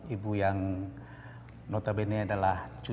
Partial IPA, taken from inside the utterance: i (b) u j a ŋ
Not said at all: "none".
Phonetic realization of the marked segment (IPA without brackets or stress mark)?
b